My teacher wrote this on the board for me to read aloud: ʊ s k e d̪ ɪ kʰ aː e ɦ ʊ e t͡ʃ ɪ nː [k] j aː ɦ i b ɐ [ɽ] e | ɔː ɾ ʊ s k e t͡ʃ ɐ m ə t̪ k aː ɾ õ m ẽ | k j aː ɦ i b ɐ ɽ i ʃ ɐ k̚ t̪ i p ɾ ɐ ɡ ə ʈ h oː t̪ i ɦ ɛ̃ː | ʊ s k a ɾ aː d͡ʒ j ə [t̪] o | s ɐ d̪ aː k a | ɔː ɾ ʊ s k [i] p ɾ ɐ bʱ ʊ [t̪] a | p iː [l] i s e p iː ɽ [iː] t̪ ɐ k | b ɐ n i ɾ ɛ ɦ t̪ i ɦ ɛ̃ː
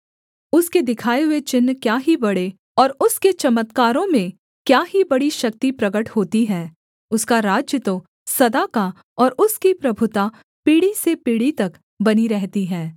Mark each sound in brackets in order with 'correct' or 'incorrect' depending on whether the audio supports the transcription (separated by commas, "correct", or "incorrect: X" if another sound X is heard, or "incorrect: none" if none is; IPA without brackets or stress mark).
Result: correct, correct, correct, correct, correct, incorrect: ɽ, incorrect: i